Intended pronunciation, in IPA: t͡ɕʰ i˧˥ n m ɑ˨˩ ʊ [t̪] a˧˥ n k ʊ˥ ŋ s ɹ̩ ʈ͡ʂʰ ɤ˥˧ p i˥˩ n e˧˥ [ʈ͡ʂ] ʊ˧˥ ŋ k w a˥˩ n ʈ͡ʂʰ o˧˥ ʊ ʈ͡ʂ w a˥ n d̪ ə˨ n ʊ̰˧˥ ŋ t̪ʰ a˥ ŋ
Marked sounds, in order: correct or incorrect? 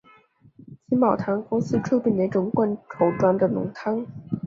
incorrect, correct

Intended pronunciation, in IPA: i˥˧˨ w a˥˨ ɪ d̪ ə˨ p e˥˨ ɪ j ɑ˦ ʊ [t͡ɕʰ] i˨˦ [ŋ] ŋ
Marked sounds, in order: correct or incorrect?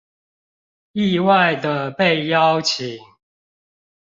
correct, correct

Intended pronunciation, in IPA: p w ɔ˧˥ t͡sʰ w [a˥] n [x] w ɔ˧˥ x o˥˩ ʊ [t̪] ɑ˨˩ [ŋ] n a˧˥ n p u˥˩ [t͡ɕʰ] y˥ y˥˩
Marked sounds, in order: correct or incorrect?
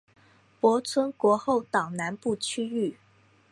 incorrect, incorrect, correct, correct, correct

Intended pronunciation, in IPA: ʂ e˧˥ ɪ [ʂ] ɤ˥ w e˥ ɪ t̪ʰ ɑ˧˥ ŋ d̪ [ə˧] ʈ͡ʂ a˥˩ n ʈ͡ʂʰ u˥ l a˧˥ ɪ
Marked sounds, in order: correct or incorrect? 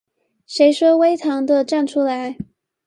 correct, correct

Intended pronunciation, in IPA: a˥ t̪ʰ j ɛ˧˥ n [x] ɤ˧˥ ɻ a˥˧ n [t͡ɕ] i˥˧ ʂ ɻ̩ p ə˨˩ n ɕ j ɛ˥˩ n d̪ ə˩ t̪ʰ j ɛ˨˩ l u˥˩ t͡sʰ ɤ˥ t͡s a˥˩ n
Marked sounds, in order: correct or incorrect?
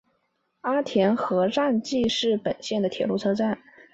correct, correct

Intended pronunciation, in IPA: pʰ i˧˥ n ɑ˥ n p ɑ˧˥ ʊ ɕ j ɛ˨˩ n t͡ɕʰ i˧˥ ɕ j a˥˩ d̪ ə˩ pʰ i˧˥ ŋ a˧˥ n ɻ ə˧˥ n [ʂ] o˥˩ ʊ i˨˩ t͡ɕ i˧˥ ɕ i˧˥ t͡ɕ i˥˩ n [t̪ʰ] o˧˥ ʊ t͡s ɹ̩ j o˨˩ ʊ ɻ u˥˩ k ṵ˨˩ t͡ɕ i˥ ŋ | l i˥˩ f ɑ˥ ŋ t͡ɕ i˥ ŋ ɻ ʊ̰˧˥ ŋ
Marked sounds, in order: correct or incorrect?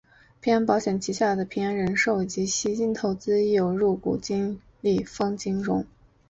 correct, correct

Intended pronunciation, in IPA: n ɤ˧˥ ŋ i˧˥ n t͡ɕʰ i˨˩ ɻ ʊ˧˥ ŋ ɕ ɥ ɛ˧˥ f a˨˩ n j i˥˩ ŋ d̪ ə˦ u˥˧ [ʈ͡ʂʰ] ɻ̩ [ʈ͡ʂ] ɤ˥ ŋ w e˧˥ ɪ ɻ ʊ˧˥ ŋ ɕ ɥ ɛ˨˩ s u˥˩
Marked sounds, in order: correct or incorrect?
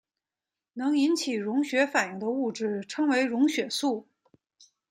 incorrect, incorrect

